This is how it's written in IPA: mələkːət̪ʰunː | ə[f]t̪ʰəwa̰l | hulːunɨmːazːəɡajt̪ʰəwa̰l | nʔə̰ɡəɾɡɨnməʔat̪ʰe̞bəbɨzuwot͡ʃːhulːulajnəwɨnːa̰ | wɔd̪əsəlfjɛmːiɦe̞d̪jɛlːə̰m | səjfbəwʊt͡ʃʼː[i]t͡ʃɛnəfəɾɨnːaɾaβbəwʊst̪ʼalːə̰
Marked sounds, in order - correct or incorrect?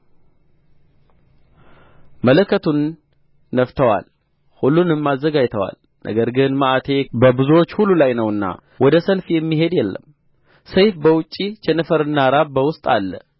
correct, correct

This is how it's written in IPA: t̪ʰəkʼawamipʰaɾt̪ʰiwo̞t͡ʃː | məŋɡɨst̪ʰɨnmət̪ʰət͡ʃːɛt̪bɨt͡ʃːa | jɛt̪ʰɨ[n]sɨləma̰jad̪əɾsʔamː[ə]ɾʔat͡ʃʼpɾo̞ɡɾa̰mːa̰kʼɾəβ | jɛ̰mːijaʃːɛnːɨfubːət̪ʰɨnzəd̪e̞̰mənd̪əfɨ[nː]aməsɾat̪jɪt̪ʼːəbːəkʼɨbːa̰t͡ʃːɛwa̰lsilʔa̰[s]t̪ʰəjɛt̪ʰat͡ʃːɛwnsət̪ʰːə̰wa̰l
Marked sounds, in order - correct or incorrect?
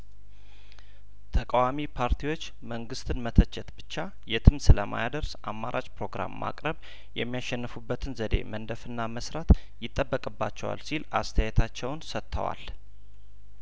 incorrect, incorrect, correct, correct

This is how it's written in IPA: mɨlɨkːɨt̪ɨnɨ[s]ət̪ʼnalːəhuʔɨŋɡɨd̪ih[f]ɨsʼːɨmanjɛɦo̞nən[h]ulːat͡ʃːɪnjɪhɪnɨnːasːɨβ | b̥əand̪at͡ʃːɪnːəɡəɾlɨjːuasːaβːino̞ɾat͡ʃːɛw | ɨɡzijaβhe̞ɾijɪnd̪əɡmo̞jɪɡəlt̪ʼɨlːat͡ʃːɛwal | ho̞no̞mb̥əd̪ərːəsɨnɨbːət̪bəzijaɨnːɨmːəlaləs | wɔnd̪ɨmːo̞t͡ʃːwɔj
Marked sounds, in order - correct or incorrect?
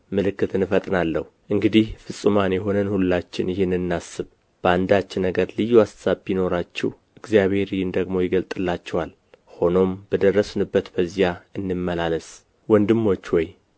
incorrect, correct, correct

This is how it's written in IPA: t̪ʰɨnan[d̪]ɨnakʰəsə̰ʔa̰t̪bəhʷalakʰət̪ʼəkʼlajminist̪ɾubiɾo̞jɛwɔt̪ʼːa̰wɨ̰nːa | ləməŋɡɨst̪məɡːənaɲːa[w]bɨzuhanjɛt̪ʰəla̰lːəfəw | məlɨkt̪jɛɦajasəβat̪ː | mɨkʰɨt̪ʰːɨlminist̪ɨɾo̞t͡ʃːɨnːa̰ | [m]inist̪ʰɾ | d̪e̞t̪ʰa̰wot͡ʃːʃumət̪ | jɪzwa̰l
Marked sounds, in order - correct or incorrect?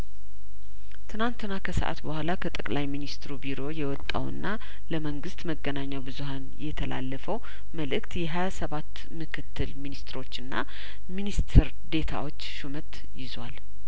incorrect, correct, correct

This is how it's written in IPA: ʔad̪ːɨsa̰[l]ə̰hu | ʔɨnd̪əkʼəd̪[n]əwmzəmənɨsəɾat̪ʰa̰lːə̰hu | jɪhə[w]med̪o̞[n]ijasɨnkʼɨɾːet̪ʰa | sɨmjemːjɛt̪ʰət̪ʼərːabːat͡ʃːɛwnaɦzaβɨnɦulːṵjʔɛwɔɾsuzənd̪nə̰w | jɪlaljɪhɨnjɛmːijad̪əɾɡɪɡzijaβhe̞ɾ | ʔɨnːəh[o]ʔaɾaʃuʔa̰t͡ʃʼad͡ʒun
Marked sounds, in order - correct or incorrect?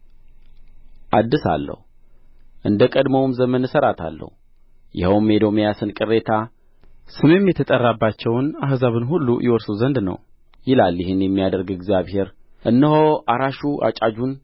incorrect, incorrect, correct, incorrect, correct

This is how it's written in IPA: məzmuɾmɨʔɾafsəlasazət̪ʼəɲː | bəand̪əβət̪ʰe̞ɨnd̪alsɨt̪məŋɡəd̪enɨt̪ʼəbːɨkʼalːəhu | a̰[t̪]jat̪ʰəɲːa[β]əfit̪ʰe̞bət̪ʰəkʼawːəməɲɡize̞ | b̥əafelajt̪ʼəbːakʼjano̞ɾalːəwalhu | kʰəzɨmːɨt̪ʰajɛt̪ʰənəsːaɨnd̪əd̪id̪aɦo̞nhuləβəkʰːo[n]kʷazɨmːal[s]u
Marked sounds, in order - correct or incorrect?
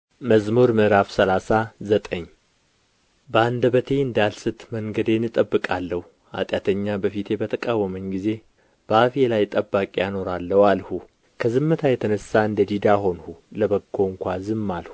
incorrect, incorrect, incorrect, incorrect

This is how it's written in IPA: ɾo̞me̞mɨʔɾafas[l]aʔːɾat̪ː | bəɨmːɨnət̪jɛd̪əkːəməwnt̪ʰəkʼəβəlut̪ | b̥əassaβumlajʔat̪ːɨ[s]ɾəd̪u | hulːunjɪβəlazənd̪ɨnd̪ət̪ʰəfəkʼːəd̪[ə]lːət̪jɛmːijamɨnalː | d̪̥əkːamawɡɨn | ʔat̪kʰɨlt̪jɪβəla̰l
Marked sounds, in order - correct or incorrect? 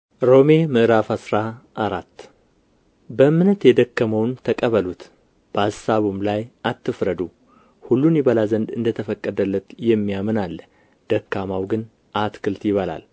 incorrect, incorrect, correct

